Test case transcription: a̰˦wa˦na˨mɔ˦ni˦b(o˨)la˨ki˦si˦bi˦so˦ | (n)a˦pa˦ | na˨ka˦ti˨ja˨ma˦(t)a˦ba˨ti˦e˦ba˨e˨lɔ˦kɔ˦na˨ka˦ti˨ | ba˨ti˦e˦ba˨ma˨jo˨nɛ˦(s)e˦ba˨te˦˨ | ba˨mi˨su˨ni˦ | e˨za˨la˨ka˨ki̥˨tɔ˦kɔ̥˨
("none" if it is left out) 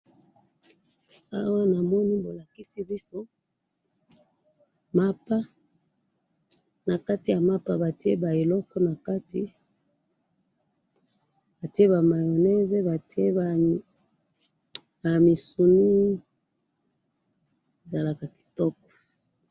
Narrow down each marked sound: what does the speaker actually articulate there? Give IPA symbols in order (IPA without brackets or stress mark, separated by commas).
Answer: o˨, m, p, z